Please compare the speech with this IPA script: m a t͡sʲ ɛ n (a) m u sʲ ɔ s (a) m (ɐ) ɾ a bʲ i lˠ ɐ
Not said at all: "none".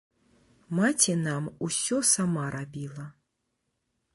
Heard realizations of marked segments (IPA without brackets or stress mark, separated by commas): a, a, a